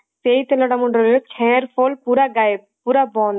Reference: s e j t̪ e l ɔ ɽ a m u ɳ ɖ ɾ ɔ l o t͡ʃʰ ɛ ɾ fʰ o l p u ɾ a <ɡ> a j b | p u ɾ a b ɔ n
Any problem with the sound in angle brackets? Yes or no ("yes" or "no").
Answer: no